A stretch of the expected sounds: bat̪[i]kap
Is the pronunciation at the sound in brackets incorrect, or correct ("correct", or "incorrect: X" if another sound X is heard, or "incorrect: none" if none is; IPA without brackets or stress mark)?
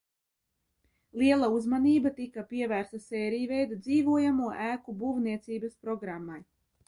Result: correct